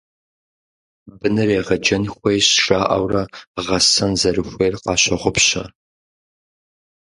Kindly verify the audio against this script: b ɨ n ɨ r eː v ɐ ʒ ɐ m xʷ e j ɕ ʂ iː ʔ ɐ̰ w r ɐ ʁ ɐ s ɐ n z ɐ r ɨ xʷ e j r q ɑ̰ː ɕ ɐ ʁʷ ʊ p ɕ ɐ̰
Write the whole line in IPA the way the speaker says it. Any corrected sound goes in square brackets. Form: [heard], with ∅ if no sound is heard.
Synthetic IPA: b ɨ n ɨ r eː [ʁ] ɐ [d͡ʒ] ɐ [n] xʷ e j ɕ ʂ [aː] ʔ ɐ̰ w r ɐ ʁ ɐ s ɐ n z ɐ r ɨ xʷ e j r q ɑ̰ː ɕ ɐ ʁʷ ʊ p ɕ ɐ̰